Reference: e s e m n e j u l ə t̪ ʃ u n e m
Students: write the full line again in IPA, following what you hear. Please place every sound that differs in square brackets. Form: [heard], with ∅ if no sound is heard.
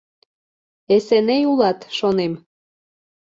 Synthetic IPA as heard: e s e [∅] n e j u l [ɑ] t̪ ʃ [o] n e m

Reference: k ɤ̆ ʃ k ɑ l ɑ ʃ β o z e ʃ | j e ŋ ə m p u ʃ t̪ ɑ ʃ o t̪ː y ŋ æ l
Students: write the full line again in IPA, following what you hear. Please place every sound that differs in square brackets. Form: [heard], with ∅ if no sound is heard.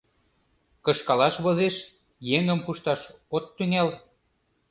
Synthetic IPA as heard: k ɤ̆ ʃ k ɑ l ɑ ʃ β o z e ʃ | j e ŋ ə m p u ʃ t̪ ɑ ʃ o t̪ː y ŋ æ l

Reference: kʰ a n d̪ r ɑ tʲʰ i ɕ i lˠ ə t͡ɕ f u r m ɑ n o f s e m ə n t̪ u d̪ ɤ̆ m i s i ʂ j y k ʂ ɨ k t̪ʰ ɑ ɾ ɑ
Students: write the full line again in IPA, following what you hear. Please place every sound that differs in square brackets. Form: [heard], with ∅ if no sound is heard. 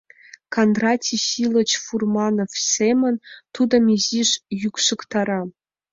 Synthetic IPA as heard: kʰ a n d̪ r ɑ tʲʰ i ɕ i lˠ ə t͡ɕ f u r m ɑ n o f s e m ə n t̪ u d̪ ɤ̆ m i [z] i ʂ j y k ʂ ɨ k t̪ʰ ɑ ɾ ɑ

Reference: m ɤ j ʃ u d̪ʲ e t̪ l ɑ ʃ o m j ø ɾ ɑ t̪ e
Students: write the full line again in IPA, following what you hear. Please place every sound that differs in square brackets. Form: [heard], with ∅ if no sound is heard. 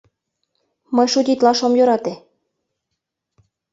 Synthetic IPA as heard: m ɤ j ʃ u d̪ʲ [i] t̪ l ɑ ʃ o m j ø ɾ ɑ t̪ e

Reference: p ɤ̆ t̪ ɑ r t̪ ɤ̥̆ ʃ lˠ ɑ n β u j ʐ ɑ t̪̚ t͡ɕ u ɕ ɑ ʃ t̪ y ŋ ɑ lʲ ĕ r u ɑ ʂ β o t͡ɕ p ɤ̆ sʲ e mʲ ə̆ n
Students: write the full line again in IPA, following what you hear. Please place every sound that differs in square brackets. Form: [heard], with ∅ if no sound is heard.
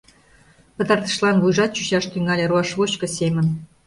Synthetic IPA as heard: p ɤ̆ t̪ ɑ r t̪ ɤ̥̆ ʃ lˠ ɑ n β u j ʐ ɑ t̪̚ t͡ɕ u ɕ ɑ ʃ t̪ y ŋ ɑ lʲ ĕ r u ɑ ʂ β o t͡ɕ [k] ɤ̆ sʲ e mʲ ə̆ n

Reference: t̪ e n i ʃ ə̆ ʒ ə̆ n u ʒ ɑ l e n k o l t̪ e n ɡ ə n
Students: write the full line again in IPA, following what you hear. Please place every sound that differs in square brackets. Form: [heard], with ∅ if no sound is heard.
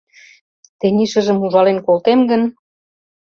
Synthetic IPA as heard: t̪ e n i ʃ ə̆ ʒ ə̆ [m] u ʒ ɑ l e n k o l t̪ e [m] ɡ ə n

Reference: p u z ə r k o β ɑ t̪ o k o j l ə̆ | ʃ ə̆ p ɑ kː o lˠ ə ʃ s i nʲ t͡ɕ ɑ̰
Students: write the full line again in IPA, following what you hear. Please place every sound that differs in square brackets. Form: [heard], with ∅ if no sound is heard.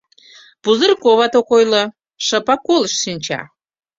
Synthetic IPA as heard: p u z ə r k o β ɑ t̪ o k o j l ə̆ | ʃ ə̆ p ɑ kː o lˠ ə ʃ s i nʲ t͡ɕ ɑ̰

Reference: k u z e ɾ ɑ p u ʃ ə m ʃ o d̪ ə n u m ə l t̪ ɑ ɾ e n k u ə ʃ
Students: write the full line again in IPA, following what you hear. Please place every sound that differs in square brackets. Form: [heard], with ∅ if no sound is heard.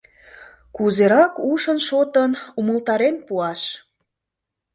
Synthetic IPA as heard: k u z e ɾ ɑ [k] u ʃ ə [n] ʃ o [t̪] ə n u m ə l t̪ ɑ ɾ e n [p] u [ɑ] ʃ

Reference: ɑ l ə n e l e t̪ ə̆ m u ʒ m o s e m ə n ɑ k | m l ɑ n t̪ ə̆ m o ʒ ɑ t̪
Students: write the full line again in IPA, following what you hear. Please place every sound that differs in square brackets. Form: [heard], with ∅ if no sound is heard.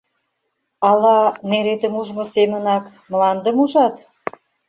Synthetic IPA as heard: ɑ l [ɑ] n e [ɾ] e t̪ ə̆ m u ʒ m o s e m ə n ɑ k | m l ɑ n [d̪] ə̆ m [u] ʒ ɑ t̪

